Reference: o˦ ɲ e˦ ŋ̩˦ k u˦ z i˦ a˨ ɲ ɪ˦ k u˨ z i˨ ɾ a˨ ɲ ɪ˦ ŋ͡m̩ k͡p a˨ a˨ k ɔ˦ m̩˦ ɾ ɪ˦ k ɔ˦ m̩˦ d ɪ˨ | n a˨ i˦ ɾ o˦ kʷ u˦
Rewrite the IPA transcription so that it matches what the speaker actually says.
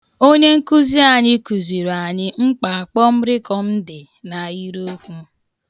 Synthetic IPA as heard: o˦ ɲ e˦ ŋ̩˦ k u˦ z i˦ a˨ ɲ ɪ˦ k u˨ z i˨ ɾ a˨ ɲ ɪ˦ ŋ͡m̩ k͡p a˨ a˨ k͡p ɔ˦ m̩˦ ɾ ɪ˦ k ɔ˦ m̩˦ d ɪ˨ | n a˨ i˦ ɾ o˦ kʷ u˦